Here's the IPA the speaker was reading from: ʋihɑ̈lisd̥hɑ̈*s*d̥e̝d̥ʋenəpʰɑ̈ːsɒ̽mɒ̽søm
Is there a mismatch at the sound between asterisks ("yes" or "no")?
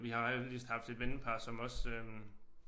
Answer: yes